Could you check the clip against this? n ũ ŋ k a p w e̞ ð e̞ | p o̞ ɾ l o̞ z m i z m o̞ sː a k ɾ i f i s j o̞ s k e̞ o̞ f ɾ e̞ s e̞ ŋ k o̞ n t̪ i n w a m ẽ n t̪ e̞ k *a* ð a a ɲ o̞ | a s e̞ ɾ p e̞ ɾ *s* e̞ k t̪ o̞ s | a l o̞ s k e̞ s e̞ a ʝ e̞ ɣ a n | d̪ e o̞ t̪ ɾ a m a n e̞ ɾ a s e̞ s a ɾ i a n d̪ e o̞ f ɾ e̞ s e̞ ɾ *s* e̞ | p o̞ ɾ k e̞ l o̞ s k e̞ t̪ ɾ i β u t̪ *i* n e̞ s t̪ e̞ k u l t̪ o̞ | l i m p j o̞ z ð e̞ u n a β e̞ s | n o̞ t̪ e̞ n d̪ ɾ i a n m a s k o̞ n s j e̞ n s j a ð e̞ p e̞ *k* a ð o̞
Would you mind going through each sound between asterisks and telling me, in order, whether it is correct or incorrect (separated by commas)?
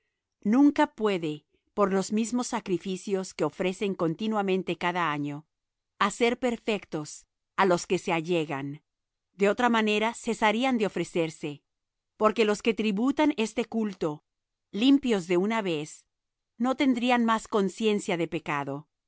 correct, incorrect, correct, incorrect, correct